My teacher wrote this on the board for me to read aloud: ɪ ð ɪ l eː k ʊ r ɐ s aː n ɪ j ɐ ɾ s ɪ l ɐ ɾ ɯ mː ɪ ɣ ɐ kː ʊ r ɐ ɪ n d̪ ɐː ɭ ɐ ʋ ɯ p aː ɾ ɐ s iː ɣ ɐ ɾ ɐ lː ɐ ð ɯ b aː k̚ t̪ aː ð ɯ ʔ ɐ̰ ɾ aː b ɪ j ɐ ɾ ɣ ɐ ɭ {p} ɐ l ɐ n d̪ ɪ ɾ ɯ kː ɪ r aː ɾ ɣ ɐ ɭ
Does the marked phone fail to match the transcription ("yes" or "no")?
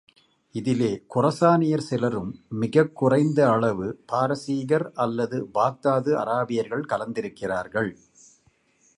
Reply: yes